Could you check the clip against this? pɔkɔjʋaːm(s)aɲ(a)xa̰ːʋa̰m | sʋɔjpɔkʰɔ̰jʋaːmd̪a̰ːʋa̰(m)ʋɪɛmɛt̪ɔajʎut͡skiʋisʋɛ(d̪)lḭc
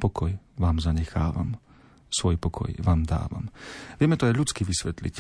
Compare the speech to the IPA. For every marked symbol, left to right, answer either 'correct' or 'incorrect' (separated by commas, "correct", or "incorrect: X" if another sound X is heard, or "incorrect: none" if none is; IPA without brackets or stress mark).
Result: incorrect: z, incorrect: ɛ, correct, incorrect: t̪